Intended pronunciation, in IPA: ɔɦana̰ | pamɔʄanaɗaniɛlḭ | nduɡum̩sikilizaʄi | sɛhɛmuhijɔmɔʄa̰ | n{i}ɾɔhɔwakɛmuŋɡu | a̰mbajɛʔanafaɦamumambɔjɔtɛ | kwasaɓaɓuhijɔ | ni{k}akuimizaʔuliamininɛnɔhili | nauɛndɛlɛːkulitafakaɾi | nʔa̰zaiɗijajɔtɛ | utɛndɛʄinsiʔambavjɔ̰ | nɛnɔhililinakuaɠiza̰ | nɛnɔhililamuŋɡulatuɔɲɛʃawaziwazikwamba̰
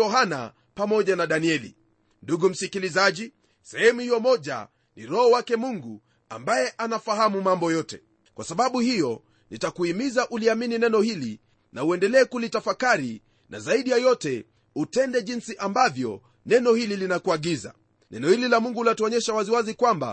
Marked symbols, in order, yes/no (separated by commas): yes, no